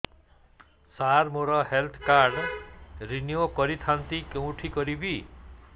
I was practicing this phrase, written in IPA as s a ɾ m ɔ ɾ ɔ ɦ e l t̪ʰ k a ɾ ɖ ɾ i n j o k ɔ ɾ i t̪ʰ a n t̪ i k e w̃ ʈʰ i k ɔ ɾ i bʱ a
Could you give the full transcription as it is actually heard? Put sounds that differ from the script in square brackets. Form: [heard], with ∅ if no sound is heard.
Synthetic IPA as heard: s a ɾ m [o] ɾ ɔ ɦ e l t̪ʰ k a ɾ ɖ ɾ i n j o k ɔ ɾ i t̪ʰ a n t̪ i k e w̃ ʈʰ i k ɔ ɾ i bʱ [i]